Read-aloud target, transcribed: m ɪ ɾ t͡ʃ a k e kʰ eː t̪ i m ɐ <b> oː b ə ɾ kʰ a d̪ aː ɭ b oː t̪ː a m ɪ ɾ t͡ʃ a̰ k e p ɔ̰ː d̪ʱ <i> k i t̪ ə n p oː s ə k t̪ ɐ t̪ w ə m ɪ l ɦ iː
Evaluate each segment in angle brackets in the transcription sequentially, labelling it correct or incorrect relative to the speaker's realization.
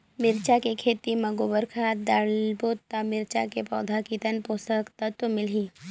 incorrect, incorrect

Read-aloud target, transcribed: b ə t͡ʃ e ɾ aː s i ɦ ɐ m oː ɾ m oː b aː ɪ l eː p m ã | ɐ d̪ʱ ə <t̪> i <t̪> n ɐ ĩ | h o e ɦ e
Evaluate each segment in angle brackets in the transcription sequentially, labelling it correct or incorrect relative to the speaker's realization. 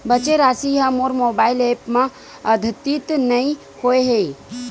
correct, correct

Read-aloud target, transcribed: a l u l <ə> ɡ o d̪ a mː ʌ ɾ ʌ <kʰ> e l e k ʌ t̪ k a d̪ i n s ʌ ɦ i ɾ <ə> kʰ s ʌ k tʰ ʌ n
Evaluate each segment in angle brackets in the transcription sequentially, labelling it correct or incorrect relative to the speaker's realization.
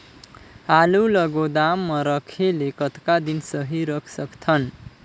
incorrect, correct, incorrect

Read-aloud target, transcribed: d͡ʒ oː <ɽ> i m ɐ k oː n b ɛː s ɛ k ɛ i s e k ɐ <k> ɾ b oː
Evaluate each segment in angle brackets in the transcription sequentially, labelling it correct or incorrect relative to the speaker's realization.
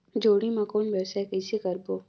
correct, incorrect

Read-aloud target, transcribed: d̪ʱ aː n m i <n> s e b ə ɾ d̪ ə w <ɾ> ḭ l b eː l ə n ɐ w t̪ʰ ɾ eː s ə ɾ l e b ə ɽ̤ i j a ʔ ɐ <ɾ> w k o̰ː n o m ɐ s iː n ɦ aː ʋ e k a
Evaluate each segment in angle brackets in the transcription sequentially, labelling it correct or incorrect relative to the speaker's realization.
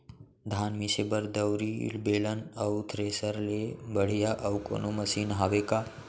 incorrect, correct, incorrect

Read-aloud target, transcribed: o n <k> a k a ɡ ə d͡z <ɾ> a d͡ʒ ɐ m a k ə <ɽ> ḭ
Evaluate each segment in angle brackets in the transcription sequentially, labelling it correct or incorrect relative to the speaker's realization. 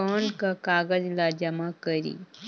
correct, incorrect, incorrect

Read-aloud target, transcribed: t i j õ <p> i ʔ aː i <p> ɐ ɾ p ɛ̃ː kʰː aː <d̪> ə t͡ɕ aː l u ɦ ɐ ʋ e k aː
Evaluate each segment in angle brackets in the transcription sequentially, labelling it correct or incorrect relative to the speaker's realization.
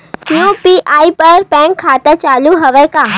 correct, correct, incorrect

